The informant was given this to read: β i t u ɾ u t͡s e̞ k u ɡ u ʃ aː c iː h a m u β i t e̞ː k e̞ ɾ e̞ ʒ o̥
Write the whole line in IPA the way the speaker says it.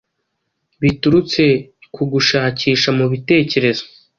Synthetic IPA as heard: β i t u ɾ u t͡s e̞ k u ɡ u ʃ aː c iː ʃ a m u β i t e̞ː c e̞ ɾ e̞ z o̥